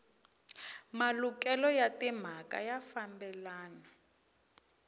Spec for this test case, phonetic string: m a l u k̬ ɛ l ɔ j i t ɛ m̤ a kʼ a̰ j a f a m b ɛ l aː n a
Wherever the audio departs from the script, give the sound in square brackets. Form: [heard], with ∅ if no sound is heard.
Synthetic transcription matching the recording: m a l u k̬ ɛ l ɔ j [a] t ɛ m̤ a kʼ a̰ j a f a m b ɛ l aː n a